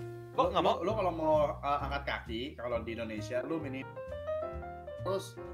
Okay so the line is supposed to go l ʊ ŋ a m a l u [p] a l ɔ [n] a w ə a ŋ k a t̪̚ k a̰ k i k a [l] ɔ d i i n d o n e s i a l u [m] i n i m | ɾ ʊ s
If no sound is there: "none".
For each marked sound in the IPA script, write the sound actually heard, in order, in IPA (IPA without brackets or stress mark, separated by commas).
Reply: k, m, l, m